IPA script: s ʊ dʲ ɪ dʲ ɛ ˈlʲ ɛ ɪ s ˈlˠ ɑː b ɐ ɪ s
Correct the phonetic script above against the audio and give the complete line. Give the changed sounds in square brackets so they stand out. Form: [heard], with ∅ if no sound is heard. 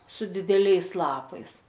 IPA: s ʊ dʲ ɪ dʲ ɛ ˈlʲ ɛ ɪ s ˈlˠ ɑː [p] ɐ ɪ s